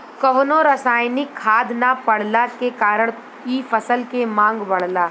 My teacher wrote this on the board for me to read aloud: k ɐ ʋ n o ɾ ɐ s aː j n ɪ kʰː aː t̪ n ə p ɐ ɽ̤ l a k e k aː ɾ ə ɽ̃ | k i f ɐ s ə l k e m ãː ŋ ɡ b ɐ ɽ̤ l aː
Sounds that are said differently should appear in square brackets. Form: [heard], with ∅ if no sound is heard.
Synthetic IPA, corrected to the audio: k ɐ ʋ n o ɾ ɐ s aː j n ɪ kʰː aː [d̪] n [a] p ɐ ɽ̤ l a k e k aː ɾ ə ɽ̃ | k i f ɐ s ə l k e m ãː ŋ ɡ b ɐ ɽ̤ l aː